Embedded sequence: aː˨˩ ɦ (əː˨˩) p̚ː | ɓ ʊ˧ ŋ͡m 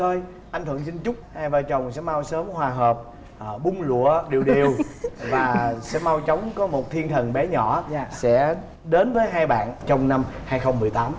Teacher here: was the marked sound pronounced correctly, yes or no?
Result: yes